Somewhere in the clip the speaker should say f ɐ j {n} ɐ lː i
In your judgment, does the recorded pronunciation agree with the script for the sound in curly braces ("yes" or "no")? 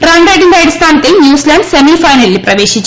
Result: yes